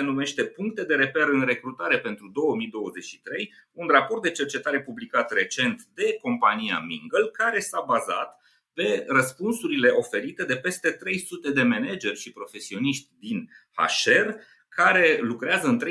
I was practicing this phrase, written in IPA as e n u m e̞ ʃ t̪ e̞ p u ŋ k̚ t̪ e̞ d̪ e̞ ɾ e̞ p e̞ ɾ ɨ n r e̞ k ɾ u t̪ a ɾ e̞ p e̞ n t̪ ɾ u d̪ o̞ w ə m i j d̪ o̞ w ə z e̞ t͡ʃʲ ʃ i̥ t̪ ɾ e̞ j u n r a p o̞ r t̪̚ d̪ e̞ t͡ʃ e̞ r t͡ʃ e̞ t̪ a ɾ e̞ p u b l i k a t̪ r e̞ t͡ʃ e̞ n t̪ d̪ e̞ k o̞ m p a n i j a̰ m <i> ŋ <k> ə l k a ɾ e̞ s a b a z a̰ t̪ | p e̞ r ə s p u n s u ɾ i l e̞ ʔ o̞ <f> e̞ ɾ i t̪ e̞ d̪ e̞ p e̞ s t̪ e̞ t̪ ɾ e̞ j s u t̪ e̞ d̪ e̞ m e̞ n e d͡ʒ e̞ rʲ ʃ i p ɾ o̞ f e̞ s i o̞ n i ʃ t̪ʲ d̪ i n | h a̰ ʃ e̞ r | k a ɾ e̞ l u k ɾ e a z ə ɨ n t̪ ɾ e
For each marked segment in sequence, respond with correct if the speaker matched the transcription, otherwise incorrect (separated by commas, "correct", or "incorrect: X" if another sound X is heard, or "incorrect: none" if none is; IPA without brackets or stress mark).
correct, incorrect: ɡ, correct